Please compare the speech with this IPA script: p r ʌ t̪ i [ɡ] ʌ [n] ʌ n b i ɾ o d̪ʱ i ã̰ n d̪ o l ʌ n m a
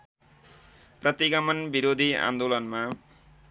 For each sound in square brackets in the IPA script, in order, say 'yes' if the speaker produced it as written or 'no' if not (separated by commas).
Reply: yes, no